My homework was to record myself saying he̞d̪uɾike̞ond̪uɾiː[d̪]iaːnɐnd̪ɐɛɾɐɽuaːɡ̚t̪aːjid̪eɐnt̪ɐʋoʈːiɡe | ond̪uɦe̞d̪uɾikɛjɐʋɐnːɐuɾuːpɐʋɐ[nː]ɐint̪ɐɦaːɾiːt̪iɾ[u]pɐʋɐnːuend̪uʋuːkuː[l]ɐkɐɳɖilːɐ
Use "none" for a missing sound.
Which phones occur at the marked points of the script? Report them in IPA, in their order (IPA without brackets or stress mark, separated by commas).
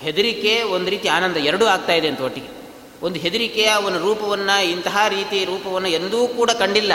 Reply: t̪, nː, uː, ɽ